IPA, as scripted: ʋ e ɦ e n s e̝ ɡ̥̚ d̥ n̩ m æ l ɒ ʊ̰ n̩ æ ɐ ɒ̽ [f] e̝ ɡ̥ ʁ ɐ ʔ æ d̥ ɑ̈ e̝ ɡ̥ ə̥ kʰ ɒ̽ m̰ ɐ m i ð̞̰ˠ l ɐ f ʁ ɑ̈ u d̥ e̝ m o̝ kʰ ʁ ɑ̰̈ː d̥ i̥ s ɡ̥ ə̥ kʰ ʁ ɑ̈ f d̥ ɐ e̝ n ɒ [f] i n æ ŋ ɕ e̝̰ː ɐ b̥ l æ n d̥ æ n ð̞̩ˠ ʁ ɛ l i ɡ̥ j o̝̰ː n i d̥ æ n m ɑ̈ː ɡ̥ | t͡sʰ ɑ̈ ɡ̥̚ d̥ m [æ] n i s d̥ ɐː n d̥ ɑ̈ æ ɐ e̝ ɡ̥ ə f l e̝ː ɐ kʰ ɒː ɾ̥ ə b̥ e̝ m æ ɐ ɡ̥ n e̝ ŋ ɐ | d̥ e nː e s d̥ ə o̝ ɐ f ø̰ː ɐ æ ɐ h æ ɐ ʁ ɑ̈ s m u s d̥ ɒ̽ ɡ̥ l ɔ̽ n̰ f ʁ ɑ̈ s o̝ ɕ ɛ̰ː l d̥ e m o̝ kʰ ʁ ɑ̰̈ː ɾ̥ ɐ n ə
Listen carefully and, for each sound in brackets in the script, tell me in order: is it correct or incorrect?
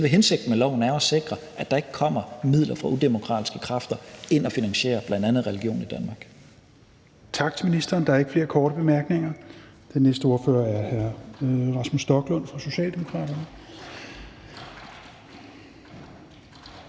incorrect: s, correct, incorrect: i

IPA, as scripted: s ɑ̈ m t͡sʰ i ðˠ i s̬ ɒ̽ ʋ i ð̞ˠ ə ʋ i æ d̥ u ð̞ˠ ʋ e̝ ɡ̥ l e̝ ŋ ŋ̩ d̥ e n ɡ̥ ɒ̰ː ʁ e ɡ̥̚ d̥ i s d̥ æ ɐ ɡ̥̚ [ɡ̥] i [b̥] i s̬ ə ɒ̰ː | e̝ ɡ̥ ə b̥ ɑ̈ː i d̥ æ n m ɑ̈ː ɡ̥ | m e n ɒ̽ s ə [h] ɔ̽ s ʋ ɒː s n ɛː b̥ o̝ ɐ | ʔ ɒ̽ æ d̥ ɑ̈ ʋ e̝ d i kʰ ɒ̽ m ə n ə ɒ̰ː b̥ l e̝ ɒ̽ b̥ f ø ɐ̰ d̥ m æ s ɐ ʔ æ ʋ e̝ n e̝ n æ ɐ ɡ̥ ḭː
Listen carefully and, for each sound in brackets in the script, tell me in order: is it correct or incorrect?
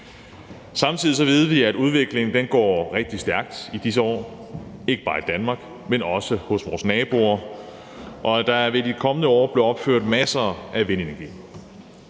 incorrect: d̥, incorrect: d̥, correct

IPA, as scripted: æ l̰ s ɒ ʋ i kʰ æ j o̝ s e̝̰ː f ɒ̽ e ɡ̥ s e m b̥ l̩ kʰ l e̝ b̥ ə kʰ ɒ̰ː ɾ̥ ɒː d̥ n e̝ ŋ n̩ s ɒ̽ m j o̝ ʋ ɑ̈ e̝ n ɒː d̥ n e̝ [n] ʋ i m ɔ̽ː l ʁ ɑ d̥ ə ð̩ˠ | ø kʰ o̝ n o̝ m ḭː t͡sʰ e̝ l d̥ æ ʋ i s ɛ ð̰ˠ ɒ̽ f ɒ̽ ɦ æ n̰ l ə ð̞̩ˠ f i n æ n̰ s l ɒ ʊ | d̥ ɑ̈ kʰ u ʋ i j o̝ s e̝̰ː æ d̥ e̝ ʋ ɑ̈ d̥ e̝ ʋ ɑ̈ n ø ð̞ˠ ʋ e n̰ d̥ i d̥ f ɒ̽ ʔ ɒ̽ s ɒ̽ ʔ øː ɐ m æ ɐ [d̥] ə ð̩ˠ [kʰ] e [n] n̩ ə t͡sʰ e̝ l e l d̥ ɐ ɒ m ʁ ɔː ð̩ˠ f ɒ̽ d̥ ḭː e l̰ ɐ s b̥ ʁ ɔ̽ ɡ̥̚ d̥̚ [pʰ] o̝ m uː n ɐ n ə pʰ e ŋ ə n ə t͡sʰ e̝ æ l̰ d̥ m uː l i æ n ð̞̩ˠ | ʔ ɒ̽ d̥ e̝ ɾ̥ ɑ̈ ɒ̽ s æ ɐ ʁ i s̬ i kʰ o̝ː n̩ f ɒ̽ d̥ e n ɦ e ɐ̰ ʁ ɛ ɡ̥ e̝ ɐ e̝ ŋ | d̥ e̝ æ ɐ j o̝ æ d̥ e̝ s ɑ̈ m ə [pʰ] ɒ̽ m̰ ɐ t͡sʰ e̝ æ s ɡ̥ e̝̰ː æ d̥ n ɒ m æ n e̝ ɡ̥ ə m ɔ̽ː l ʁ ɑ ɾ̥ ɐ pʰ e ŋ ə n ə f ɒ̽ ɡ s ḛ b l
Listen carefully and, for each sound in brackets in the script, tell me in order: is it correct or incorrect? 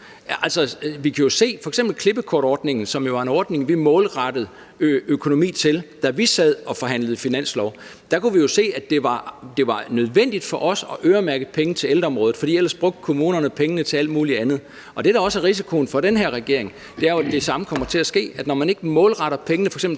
incorrect: ŋ, incorrect: ɡ̥, incorrect: pʰ, incorrect: ŋ, incorrect: kʰ, incorrect: kʰ

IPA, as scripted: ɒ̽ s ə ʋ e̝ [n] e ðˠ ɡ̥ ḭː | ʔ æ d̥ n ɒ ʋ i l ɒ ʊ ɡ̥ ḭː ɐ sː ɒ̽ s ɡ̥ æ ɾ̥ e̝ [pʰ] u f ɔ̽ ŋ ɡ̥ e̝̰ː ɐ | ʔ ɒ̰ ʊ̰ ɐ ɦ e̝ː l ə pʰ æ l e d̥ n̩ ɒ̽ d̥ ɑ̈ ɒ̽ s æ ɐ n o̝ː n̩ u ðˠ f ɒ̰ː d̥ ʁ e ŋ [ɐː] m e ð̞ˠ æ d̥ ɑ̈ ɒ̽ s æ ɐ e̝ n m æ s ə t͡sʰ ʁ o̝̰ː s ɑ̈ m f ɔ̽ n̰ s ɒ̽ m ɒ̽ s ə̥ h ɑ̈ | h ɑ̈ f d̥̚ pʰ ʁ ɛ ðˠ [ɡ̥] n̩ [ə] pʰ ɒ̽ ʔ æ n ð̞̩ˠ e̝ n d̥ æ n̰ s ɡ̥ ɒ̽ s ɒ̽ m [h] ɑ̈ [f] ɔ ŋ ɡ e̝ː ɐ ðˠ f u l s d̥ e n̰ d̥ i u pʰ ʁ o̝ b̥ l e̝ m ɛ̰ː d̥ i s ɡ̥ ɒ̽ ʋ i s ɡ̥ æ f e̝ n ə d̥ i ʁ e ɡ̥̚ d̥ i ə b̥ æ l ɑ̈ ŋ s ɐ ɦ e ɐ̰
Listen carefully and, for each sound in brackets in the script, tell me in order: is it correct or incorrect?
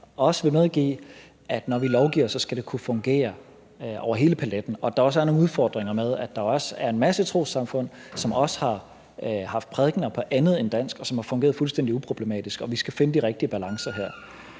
incorrect: m, incorrect: kʰ, incorrect: ɐ, correct, incorrect: ɐ, correct, correct

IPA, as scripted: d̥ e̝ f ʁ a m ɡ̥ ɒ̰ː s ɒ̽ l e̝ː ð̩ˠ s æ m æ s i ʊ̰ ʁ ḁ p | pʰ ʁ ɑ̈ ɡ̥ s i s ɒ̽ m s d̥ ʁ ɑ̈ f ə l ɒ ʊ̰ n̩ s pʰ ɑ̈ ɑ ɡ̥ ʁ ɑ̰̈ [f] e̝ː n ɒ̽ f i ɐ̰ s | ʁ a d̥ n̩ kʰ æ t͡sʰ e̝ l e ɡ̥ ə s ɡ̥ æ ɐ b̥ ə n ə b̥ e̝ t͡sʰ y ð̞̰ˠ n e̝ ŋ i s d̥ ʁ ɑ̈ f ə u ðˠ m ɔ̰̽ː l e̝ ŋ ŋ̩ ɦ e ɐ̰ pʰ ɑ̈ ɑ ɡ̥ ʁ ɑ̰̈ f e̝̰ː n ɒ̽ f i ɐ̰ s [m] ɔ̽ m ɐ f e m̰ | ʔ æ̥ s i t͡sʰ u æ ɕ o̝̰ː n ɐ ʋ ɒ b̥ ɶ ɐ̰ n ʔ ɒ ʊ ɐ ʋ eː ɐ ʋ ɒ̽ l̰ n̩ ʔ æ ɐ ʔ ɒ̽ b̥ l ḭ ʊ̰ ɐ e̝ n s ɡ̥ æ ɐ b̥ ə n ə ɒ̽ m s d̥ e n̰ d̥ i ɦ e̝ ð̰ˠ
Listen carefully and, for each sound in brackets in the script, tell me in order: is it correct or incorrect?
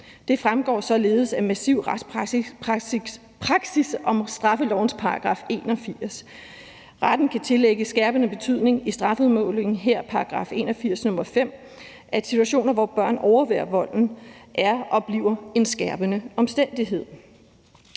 correct, incorrect: n

